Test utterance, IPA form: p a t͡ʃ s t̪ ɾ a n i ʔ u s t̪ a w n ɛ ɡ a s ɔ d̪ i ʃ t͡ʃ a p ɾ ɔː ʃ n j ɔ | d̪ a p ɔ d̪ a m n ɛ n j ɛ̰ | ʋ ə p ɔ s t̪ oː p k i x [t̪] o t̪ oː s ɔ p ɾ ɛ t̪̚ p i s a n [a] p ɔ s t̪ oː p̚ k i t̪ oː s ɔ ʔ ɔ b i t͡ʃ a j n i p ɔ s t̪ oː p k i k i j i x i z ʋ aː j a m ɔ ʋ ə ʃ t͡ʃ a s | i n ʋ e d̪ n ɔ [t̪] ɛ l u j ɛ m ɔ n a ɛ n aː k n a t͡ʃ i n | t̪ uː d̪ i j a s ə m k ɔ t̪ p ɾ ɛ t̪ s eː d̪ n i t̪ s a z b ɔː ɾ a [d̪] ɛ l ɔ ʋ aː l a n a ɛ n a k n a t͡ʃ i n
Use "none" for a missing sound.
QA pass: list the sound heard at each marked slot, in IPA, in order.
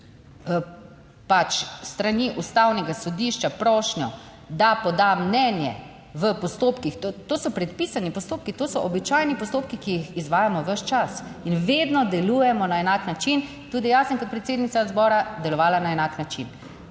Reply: t̪, i, d̪, d̪

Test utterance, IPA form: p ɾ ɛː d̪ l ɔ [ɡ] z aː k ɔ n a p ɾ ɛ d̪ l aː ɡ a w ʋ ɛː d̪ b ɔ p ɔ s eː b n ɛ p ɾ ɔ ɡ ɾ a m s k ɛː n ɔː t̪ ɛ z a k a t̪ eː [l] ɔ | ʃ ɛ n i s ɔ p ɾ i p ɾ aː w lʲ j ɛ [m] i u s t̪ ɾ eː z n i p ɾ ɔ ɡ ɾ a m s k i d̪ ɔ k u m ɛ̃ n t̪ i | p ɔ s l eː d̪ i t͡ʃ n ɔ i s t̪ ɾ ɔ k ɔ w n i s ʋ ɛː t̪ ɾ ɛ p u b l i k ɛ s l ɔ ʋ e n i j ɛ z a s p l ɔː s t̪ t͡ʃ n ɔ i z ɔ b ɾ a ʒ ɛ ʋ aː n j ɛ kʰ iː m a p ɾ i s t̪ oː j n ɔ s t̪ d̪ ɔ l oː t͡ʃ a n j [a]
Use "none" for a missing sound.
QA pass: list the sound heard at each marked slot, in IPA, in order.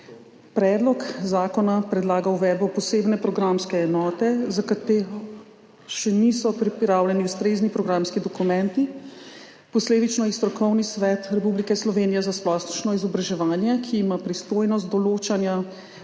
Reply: k, ɾ, n, a

